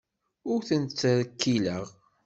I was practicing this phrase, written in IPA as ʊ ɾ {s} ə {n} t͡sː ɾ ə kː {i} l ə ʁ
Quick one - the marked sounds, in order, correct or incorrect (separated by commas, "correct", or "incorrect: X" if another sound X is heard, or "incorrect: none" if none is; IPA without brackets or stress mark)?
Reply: incorrect: θ, correct, correct